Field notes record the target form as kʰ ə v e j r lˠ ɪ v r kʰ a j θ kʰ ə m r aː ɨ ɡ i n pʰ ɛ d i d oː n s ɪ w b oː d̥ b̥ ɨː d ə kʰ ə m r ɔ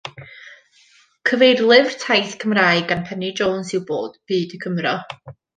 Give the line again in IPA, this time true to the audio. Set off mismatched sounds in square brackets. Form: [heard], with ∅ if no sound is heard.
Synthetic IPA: kʰ ə v e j r lˠ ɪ v r [tʰ] a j θ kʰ ə m r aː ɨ ɡ [a] n pʰ ɛ [n] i [d͡ʒ] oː n s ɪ w b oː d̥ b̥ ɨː d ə kʰ ə m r ɔ